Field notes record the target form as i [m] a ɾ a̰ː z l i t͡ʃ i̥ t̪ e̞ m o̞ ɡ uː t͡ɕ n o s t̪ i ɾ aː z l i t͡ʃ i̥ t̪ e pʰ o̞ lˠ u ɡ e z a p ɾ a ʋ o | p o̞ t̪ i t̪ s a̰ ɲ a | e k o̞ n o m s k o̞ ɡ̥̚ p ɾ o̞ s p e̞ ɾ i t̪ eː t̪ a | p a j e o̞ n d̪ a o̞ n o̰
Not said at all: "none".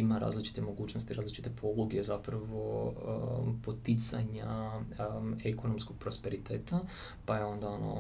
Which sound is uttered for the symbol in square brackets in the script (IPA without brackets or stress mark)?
m